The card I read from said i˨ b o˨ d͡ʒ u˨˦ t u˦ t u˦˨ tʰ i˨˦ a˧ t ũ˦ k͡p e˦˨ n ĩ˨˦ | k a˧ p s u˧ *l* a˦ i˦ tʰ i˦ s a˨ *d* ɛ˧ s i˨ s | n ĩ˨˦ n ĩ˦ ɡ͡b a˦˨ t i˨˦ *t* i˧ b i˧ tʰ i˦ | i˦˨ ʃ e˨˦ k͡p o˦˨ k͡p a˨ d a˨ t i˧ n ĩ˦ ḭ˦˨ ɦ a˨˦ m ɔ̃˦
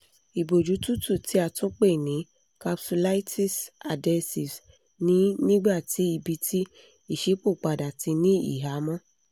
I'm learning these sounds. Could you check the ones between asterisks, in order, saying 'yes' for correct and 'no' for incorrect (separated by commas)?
yes, yes, no